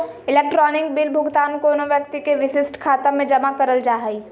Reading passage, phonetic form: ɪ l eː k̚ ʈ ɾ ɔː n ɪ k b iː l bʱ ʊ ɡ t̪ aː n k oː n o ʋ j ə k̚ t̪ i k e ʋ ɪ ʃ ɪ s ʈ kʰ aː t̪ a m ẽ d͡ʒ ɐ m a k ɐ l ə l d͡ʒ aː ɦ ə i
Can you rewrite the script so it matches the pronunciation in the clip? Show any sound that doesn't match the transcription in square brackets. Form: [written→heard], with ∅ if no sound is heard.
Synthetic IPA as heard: ɪ l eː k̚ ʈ ɾ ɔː n ɪ k b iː l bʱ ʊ ɡ t̪ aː n k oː n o ʋ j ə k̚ t̪ i k e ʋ ɪ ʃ ɪ s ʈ kʰ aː t̪ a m ẽ d͡ʒ ɐ m a k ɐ [l→ɾ] ə l d͡ʒ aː ɦ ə i